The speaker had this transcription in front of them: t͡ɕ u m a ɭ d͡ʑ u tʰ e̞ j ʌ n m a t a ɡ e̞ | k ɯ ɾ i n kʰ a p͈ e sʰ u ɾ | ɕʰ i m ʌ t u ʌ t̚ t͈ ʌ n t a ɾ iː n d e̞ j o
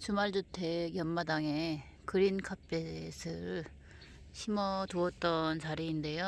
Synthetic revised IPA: t͡ɕ u m a ɭ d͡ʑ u tʰ e̞ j ʌ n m a d a ŋ e̞ | k ɯ ɾ i n kʰ a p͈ e sʰ ɯ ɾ | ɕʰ i m ʌ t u ʌ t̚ t͈ ʌ n t͡ɕ a ɾ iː n d e̞ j o